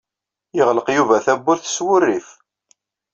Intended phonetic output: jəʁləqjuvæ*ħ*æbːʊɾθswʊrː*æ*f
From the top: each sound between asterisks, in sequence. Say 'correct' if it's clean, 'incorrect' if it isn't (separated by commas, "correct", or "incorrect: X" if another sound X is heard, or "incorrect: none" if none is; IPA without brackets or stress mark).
incorrect: θ, incorrect: i